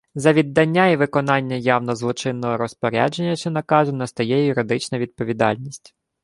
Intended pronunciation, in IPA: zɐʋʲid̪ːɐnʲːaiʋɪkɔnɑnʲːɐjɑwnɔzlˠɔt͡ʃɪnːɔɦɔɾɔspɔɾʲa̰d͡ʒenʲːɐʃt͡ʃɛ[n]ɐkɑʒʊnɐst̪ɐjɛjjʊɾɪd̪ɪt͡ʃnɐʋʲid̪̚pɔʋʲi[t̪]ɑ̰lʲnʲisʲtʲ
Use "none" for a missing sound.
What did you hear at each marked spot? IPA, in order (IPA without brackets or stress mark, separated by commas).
n, d̪